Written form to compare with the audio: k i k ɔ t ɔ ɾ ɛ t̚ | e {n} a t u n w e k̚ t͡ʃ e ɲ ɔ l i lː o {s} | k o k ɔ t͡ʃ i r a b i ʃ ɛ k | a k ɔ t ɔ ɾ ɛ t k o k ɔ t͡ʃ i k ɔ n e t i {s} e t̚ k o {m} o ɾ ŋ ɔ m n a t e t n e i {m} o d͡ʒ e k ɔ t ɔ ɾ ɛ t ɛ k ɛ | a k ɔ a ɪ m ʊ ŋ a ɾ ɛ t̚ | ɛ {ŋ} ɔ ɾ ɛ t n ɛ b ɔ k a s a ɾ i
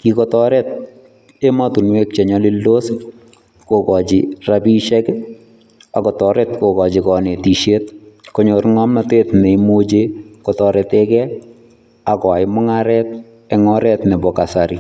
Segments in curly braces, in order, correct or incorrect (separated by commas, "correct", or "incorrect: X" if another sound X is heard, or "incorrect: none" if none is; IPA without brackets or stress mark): incorrect: m, correct, incorrect: ʃ, incorrect: ɲ, correct, correct